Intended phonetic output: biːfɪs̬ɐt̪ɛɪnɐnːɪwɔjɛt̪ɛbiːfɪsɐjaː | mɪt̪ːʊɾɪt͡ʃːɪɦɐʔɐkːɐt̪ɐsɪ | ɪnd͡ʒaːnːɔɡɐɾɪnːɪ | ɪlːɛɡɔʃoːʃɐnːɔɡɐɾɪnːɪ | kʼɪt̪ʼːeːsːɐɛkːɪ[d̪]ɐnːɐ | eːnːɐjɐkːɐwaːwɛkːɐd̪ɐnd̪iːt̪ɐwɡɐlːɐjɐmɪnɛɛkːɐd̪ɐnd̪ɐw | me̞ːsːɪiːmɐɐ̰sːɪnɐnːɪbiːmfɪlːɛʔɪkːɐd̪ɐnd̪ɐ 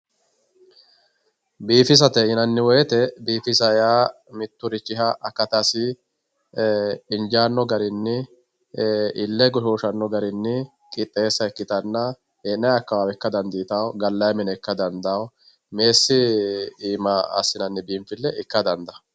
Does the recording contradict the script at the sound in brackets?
yes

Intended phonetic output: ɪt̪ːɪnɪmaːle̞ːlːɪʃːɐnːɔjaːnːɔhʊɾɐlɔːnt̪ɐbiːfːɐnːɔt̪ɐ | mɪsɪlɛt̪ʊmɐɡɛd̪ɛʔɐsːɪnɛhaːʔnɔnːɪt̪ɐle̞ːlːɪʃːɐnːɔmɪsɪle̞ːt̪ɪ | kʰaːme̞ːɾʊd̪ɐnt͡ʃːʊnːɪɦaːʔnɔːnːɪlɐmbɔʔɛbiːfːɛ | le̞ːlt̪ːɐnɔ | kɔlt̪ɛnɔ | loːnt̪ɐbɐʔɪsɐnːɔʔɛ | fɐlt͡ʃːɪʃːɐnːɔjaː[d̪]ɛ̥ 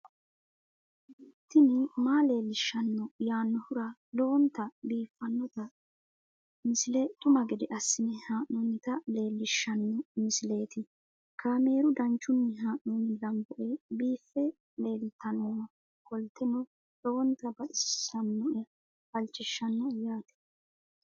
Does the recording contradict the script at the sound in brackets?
yes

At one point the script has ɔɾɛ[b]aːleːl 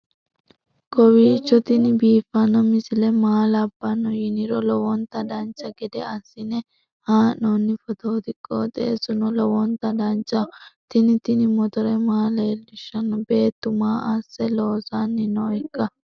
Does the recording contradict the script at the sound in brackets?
yes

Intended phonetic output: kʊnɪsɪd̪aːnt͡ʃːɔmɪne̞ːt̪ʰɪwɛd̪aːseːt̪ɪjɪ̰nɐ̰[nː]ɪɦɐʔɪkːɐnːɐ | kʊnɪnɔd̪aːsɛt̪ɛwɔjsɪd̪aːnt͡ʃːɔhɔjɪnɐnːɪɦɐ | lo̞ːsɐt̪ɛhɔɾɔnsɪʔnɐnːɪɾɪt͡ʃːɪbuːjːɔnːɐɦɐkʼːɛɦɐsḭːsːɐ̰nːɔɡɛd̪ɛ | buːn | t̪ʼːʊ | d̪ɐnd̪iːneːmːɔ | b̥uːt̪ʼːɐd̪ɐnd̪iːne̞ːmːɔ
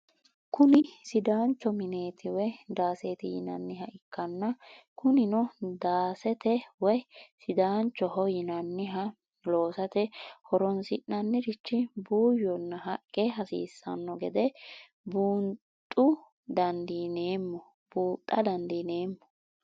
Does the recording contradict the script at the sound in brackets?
no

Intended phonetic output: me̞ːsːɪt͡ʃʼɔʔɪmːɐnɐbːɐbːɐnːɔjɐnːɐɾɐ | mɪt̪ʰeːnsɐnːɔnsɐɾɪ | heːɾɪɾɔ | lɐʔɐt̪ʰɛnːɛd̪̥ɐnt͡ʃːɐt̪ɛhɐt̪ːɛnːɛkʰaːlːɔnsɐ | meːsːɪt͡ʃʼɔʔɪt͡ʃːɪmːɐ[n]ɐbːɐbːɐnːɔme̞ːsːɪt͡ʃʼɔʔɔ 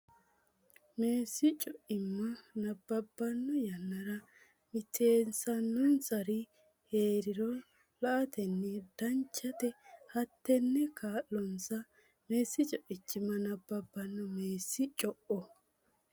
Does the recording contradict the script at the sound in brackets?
no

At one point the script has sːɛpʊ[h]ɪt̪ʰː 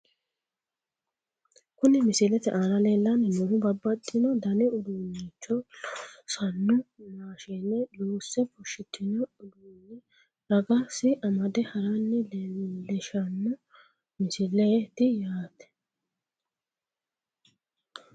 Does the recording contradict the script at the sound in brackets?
yes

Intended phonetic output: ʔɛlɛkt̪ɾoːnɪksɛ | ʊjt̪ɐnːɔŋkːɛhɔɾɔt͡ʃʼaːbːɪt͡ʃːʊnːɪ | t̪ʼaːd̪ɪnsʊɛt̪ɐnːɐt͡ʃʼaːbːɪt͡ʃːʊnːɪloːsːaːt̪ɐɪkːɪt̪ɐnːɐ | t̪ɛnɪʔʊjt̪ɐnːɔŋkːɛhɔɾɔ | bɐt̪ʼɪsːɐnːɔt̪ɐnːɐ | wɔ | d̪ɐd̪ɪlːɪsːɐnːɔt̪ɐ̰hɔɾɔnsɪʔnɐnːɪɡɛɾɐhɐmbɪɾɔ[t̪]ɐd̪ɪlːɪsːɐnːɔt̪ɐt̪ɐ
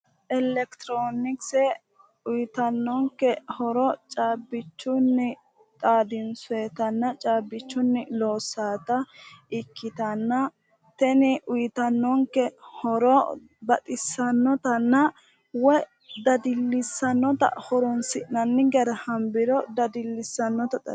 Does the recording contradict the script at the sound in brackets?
yes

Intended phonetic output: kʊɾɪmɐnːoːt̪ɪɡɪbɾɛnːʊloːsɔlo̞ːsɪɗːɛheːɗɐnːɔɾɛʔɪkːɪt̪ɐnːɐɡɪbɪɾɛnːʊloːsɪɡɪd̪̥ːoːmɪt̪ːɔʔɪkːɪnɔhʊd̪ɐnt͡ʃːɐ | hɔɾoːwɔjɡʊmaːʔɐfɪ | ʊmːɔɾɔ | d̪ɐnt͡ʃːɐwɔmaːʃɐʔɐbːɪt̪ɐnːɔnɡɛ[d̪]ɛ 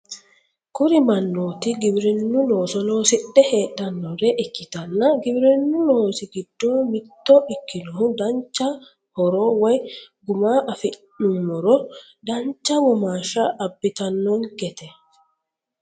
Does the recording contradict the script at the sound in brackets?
yes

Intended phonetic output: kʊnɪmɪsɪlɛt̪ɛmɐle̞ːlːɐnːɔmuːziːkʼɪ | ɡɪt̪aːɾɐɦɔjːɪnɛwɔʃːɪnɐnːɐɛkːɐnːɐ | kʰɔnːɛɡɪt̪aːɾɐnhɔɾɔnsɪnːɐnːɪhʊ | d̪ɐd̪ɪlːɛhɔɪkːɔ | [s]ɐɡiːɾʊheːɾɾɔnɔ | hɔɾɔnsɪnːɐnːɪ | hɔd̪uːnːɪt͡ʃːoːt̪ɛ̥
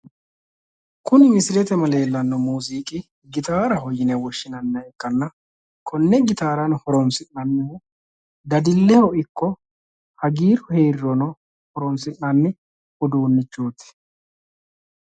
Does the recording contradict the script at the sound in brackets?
yes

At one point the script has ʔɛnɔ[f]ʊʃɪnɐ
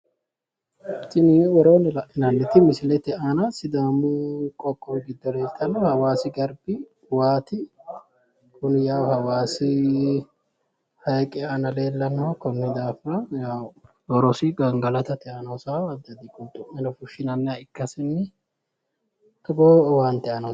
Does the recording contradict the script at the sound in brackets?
no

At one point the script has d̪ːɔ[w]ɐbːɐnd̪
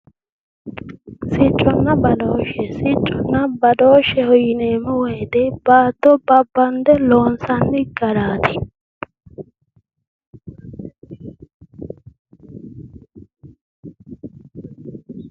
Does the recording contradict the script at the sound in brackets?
yes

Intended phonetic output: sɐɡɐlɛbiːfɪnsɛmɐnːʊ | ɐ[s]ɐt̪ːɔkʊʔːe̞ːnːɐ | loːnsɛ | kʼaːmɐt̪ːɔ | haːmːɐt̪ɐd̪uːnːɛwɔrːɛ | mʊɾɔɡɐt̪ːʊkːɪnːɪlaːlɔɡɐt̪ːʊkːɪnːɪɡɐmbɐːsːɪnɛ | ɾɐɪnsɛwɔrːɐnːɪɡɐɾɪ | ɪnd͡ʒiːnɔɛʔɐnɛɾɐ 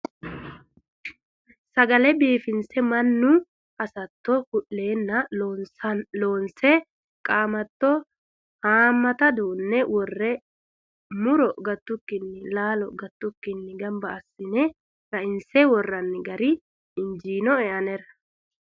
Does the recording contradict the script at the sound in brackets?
no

